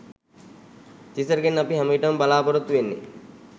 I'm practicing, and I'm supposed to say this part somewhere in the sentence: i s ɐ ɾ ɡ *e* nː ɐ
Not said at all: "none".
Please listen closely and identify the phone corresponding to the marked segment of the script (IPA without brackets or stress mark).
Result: e